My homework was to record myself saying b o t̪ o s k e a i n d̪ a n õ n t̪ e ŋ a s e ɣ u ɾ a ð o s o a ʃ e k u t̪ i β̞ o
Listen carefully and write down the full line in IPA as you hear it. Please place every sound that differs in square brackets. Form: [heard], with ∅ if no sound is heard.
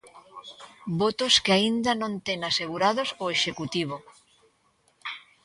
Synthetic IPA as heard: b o t̪ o s k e a i n d̪ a n õ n t̪ e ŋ a s e ɣ u ɾ a ð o s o [e] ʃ e k u t̪ i β̞ o